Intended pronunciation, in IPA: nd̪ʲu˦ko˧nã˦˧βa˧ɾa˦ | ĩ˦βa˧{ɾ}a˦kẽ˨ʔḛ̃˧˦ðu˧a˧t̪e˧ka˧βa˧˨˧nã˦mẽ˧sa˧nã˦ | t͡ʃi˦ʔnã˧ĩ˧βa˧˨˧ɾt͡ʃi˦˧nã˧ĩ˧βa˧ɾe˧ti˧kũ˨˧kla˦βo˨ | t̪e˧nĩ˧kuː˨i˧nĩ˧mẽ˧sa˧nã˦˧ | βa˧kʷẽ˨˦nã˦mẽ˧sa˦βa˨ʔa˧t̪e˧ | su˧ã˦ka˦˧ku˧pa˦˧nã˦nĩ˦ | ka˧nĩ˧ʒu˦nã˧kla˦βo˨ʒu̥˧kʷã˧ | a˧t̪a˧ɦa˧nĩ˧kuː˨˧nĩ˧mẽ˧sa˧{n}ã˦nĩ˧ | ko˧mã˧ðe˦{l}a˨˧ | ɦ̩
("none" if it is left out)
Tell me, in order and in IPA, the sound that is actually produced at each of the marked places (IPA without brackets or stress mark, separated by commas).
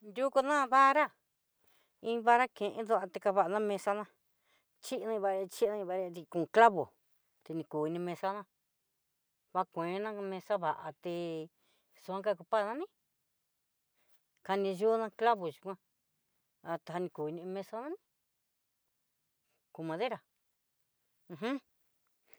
ɾ, n, ɾ